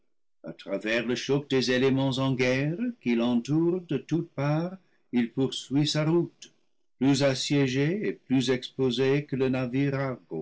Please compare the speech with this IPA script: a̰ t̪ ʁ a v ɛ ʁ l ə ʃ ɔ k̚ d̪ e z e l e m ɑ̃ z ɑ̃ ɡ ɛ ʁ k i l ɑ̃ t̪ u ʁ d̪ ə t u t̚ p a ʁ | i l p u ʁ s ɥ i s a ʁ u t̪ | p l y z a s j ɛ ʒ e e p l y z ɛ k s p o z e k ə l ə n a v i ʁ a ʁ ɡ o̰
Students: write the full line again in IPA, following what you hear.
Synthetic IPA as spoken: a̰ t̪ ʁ a v ɛ ʁ l ə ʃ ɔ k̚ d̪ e z e l e m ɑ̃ z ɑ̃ ɡ ɛ ʁ k i l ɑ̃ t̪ u ʁ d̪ ə t u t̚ p a ʁ | i l p u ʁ s ɥ i s a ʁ u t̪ | p l y z a s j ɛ ʒ e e p l y z ɛ k s p o z e k ə l ə n a v i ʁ a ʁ ɡ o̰